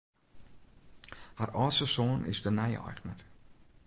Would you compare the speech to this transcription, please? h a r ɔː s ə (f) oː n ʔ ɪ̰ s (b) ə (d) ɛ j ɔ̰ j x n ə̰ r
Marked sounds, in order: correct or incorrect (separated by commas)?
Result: incorrect, incorrect, incorrect